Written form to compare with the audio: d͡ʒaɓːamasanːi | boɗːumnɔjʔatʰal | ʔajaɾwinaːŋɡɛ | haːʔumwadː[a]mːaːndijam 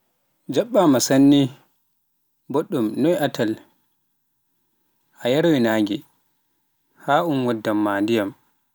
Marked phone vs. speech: correct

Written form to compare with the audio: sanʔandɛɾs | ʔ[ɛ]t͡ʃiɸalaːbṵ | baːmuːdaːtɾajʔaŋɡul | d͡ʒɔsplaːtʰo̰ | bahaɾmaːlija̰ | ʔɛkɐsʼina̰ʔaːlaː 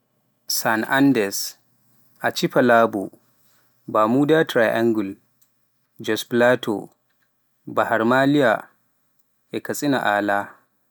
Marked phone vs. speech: incorrect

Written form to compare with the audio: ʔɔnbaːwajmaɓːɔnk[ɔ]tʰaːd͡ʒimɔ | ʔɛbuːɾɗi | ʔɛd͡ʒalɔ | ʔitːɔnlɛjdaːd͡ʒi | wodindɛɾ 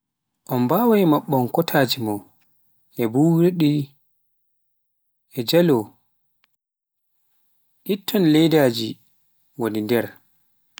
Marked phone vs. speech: correct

